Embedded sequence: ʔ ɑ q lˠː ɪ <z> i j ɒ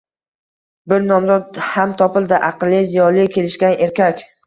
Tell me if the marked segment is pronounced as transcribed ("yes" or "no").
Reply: yes